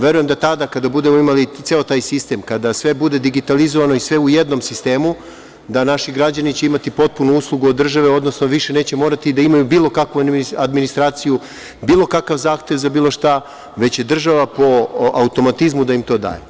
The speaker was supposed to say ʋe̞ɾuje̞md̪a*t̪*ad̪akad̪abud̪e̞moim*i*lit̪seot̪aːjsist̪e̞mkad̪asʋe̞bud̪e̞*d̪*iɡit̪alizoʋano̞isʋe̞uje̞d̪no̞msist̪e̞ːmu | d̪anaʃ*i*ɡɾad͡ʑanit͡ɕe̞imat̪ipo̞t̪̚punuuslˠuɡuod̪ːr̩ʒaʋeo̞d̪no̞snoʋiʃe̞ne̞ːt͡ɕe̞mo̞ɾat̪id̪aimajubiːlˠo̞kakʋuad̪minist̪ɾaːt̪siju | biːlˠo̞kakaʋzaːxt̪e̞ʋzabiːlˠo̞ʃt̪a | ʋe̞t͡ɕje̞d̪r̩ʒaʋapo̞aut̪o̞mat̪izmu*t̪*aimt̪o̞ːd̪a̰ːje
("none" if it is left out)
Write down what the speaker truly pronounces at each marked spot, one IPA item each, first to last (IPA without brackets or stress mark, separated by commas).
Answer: t̪, a, d̪, i, d̪